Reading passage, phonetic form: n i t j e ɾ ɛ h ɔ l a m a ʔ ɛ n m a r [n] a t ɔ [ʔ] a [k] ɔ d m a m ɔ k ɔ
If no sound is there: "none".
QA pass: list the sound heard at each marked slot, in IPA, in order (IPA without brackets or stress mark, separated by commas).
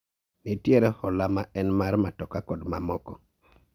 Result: m, k, k